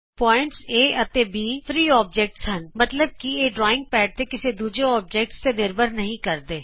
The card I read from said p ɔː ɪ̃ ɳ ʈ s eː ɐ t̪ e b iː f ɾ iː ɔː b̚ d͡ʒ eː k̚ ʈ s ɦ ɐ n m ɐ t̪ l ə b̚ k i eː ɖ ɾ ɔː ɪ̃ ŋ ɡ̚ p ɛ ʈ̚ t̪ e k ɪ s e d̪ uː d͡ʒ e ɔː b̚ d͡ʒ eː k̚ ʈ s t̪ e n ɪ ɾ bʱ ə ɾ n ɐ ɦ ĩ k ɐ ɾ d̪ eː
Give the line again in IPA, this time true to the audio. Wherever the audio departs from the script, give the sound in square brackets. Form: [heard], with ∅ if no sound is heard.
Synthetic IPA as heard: p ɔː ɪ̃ ɳ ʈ s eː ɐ t̪ e b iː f ɾ iː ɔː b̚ d͡ʒ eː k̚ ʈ s ɦ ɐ n m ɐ t̪ l ə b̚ k i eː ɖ ɾ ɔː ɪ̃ ŋ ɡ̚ p [ɛː] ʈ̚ t̪ e k ɪ s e d̪ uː d͡ʒ e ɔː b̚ d͡ʒ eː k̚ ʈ s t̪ e n ɪ ɾ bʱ ə ɾ n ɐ ɦ ĩ k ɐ ɾ d̪ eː